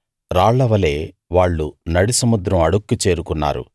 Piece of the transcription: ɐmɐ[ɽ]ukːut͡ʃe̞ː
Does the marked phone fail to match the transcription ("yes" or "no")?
no